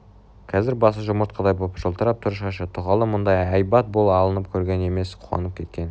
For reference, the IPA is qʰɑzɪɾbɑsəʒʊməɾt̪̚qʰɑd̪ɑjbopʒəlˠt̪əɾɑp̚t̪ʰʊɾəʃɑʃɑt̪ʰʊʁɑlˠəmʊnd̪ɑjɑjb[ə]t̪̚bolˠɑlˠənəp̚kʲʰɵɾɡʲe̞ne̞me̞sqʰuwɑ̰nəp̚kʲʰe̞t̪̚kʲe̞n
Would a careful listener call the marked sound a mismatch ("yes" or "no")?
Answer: yes